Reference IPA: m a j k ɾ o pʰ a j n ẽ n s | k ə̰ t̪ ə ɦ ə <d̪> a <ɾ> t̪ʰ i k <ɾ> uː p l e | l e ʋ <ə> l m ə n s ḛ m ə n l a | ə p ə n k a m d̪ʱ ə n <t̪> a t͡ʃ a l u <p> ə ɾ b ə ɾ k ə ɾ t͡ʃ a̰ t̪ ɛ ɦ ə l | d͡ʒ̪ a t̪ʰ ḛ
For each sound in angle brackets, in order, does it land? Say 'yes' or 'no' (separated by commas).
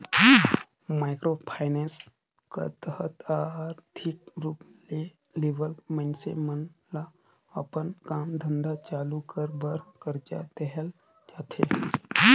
no, yes, yes, yes, no, no